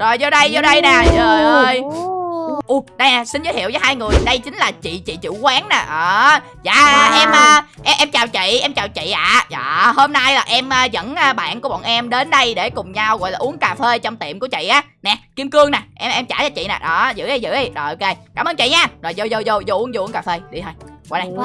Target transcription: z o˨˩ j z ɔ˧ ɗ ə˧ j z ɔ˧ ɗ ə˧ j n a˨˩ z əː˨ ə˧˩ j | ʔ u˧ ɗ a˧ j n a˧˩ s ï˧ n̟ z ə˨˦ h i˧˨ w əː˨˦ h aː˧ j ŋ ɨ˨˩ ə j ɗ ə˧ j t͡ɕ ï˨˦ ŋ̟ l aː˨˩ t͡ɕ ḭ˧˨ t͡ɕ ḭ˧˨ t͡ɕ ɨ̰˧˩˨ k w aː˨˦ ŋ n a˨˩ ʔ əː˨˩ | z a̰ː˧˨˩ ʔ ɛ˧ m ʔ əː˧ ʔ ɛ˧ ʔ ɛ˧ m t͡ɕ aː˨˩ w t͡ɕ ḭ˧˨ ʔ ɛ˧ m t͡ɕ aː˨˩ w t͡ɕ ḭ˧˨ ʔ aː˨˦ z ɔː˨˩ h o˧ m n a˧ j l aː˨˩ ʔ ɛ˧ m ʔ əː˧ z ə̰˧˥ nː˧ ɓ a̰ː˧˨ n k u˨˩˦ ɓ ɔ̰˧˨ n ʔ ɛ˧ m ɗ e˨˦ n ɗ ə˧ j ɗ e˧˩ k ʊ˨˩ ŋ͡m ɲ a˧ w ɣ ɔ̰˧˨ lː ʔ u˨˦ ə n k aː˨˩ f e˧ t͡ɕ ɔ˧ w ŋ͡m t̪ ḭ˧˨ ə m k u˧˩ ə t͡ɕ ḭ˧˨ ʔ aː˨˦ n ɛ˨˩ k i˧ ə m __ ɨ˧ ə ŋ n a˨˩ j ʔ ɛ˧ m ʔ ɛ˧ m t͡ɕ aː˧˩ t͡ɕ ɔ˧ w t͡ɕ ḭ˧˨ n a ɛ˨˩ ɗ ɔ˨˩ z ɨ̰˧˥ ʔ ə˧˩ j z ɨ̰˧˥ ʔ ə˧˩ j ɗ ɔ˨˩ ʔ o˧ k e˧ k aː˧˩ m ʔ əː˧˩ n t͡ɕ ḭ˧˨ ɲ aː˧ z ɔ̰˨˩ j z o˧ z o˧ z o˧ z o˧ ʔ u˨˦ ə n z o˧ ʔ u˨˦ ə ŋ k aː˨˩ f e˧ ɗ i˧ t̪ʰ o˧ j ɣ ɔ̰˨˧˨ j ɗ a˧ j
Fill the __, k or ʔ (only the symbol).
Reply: k